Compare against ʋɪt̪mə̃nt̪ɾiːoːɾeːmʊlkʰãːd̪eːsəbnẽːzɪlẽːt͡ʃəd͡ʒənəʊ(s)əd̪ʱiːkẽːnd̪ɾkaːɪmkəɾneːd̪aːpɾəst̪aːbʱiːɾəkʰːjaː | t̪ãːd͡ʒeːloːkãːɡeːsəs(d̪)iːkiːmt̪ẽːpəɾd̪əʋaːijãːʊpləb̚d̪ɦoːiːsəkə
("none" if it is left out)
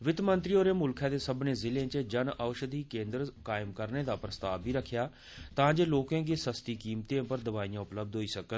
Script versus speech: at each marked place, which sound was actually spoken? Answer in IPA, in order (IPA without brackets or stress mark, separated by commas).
ʃ, t̪